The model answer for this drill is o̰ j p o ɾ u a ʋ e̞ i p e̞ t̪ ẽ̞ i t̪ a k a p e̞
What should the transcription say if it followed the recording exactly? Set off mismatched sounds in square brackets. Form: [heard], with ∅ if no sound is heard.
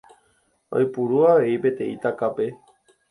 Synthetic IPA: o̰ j p [u] ɾ u a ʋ e̞ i p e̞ t̪ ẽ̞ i t̪ a k a p e̞